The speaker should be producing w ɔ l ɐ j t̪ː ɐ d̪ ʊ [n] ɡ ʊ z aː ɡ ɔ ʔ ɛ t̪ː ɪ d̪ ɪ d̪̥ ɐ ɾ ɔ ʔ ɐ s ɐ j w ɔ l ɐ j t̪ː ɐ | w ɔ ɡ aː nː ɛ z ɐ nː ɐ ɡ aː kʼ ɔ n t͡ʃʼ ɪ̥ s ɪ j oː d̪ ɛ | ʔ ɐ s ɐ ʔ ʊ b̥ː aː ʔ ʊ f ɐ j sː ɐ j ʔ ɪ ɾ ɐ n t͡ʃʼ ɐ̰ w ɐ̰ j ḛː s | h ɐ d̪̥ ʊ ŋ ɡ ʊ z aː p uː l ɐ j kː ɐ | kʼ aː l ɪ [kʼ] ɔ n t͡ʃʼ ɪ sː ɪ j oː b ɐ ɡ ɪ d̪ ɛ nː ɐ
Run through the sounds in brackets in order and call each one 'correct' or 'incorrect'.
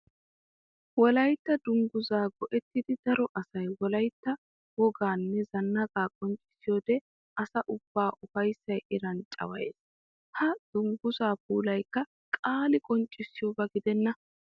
incorrect, correct

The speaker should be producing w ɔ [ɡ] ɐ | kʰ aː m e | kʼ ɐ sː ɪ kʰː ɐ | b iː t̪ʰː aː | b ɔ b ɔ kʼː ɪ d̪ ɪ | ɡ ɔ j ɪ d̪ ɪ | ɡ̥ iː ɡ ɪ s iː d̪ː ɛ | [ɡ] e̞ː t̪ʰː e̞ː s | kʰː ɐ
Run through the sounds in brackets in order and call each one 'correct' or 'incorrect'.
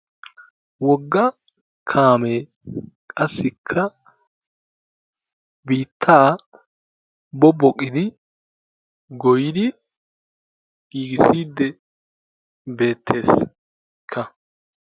incorrect, incorrect

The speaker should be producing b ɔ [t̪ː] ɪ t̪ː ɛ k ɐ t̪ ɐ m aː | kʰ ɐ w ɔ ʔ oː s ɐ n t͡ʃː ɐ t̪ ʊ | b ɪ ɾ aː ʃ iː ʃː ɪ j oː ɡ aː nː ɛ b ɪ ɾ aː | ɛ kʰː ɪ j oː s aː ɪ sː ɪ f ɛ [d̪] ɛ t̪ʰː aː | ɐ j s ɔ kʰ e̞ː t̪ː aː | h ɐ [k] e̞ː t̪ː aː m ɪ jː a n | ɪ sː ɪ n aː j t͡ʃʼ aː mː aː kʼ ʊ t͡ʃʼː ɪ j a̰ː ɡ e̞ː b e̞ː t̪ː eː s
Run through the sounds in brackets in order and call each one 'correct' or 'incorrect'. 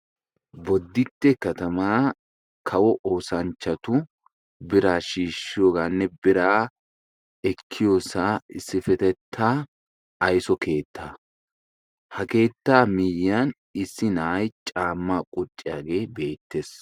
incorrect, incorrect, correct

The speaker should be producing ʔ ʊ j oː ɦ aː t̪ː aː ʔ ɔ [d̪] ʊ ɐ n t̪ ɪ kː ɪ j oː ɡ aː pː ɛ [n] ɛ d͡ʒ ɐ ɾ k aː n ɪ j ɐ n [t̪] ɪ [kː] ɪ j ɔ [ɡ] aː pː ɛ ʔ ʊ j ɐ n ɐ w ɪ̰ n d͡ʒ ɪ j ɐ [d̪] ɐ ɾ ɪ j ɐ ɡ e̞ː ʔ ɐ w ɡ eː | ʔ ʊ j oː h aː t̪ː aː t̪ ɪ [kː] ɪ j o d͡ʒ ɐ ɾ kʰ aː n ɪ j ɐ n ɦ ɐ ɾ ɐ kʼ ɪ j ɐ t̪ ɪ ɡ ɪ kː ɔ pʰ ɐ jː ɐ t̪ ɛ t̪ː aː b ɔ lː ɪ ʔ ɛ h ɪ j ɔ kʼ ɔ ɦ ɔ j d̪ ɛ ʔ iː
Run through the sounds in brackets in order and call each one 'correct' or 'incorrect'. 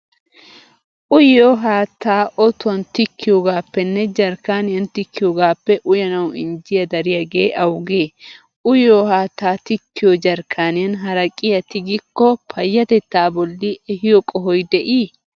incorrect, incorrect, correct, correct, correct, correct, correct

